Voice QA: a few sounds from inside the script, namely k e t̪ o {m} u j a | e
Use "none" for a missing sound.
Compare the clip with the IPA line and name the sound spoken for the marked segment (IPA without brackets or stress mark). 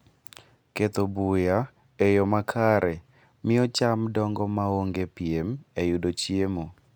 b